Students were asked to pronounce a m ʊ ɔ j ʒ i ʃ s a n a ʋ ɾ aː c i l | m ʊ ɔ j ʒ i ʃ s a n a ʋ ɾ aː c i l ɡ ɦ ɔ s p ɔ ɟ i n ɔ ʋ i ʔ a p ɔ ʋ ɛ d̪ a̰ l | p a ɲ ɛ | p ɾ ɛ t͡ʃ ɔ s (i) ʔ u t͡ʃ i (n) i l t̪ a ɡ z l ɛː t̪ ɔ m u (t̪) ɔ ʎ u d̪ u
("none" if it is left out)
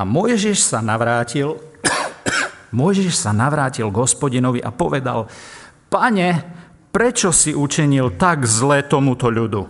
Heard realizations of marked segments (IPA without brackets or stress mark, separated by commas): i, ɲ, t̪